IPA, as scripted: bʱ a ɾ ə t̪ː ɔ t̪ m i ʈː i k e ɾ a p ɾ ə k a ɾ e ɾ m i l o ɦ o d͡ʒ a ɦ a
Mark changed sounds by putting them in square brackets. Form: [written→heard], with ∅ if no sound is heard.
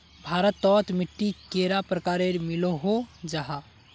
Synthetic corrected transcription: bʱ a ɾ ə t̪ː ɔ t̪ m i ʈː i k e ɾ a p ɾ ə k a ɾ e ɾ m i l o ɦ o d͡ʒ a ɦ a